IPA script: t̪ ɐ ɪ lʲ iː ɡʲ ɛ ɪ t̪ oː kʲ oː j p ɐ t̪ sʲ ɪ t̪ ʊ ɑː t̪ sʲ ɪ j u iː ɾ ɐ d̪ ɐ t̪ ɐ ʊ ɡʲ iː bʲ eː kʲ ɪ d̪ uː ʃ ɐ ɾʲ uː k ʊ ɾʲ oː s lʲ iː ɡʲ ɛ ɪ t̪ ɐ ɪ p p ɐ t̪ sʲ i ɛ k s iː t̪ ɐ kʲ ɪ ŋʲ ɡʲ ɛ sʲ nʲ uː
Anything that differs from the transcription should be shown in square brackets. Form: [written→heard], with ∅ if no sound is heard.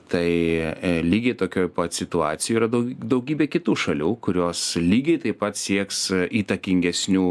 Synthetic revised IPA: t̪ ɐ ɪ lʲ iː ɡʲ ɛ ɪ t̪ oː kʲ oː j p ɐ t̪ sʲ ɪ t̪ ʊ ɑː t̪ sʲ ɪ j u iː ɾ ɐ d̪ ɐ [t̪→d̪] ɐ ʊ ɡʲ iː bʲ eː kʲ ɪ [d̪→t̪] uː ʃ ɐ [ɾʲ→lʲ] uː k ʊ ɾʲ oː s lʲ iː ɡʲ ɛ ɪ t̪ ɐ ɪ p p ɐ t̪ sʲ i ɛ k s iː t̪ ɐ kʲ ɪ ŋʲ ɡʲ ɛ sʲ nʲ uː